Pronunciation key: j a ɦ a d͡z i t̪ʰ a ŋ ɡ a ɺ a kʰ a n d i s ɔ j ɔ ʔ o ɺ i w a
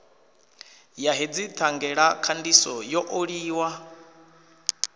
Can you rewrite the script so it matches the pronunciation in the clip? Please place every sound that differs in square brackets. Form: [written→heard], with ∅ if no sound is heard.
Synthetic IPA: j a ɦ [a→e] d͡z i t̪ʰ a ŋ ɡ [a→ɛ] ɺ a kʰ a n d i s ɔ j ɔ ʔ o ɺ [i→iː] w a